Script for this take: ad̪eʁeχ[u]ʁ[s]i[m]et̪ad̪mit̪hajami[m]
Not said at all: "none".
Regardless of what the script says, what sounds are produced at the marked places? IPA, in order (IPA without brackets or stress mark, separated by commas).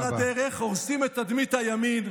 o, s, m, n